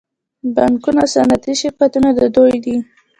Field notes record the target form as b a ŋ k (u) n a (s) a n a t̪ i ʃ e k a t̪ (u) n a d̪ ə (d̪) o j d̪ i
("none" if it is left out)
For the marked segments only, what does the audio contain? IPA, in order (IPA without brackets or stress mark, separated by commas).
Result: u, s, u, d̪